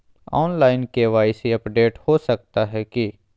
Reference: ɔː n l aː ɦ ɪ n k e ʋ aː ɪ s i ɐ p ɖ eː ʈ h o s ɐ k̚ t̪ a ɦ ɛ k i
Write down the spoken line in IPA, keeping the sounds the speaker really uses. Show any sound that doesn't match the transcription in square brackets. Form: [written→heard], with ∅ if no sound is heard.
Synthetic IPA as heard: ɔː n l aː [ɦ→∅] ɪ n k e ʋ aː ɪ s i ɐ p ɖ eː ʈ h o s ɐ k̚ t̪ a ɦ ɛ k i